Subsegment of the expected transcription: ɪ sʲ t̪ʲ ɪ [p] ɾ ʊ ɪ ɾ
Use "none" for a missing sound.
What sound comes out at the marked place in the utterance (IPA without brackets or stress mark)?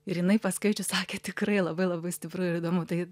p